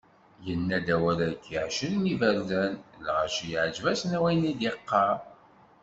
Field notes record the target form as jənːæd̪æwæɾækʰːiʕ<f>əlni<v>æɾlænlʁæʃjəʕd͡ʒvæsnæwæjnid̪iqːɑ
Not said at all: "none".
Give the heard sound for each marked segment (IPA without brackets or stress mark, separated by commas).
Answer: ʃ, v